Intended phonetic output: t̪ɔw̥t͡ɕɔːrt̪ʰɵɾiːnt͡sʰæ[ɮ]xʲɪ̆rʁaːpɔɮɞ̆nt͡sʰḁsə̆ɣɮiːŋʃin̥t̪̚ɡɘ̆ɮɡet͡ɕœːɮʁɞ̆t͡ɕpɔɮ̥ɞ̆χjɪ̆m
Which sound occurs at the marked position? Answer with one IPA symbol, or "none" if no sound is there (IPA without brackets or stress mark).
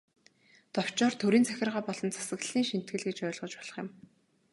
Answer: none